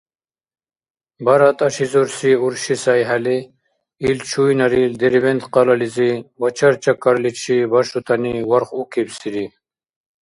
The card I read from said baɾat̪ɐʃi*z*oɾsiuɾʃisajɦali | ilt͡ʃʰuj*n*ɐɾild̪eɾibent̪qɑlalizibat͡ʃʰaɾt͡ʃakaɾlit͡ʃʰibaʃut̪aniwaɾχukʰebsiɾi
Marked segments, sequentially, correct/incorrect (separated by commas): correct, correct